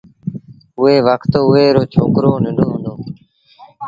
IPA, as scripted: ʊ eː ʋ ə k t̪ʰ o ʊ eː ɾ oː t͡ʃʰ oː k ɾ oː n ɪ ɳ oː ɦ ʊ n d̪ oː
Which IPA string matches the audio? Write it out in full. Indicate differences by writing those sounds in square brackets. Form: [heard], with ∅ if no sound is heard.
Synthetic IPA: ʊ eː ʋ ə k [t̪] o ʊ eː ɾ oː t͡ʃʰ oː k ɾ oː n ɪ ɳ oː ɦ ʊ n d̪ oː